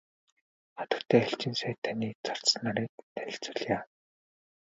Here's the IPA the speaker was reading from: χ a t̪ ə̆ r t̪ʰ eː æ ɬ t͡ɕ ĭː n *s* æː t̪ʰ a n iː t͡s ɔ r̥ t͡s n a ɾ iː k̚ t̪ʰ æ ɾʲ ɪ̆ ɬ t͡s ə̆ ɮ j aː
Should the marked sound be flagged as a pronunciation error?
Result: no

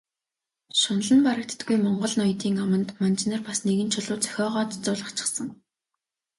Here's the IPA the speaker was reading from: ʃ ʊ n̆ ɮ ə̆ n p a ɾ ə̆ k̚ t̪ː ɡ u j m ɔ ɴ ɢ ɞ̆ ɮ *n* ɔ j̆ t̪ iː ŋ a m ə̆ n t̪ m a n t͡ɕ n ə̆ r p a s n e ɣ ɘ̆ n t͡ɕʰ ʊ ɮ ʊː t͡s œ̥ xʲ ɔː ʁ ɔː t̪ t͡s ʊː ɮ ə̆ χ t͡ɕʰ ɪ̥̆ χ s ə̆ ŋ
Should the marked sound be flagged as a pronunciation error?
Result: no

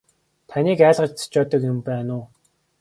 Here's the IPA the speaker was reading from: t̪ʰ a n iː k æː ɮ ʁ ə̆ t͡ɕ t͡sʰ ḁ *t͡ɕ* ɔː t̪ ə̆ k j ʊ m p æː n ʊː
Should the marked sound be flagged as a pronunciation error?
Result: no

